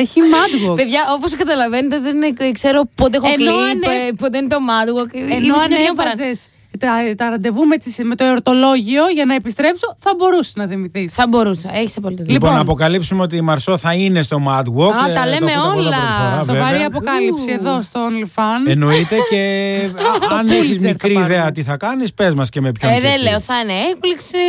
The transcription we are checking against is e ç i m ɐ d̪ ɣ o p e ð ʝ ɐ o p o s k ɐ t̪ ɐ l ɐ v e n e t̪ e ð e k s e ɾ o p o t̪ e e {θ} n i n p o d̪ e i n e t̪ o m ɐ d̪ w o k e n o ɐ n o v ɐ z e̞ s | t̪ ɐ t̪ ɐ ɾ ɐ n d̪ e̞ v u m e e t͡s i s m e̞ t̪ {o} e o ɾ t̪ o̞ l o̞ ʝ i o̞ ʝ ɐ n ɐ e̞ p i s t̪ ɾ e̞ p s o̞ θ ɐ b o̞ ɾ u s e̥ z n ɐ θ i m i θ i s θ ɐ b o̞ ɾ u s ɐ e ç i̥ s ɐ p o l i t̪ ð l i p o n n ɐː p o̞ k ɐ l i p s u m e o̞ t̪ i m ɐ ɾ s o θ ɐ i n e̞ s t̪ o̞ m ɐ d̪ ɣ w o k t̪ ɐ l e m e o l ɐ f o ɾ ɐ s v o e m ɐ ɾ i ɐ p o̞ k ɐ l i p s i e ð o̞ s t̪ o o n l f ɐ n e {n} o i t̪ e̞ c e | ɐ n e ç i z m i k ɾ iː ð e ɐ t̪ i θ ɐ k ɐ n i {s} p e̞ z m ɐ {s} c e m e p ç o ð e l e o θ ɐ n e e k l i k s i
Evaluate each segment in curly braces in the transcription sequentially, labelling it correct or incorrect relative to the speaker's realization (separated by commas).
incorrect, correct, correct, correct, correct